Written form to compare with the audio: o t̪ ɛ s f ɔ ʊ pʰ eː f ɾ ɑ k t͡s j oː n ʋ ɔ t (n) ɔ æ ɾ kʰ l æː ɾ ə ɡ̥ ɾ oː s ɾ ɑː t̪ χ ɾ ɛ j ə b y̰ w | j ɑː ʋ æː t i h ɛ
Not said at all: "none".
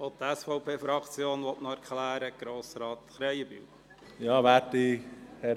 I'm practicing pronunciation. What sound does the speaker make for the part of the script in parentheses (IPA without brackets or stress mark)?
n